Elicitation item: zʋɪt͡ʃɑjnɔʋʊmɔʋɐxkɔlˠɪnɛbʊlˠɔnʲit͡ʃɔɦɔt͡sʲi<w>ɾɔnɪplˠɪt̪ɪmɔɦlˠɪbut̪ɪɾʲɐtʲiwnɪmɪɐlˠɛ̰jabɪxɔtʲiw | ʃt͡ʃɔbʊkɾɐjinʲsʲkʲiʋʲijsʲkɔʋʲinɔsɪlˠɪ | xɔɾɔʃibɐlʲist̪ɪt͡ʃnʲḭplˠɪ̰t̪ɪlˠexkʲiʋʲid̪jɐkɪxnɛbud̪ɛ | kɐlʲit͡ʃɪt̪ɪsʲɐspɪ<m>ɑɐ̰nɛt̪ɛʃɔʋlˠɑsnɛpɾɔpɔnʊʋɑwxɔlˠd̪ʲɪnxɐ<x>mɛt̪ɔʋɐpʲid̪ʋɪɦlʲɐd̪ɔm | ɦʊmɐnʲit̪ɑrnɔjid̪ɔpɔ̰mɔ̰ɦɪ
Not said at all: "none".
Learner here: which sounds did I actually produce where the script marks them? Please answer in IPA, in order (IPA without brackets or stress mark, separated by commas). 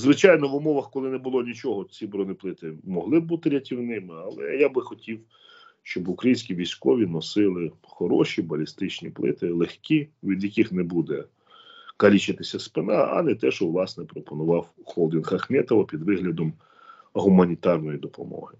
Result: b, n, x